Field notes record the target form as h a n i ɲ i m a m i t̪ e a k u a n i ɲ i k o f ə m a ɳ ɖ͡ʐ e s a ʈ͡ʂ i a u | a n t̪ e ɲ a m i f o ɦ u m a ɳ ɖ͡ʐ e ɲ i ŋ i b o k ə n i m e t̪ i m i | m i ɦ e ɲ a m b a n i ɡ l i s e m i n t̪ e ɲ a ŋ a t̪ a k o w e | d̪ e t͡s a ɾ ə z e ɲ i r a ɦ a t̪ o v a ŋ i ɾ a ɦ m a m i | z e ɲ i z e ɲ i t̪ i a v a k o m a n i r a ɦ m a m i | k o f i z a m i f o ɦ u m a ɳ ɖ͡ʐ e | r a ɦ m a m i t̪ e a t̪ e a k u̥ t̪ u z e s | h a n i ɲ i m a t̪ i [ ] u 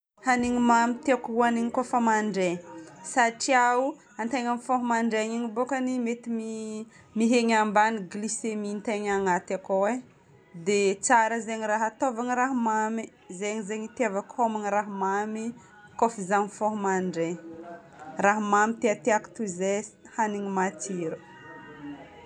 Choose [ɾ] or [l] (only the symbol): ɾ